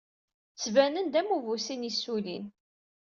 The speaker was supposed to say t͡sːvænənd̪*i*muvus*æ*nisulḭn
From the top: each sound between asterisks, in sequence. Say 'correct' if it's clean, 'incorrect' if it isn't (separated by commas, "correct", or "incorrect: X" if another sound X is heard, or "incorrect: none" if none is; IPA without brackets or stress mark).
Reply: incorrect: æ, incorrect: i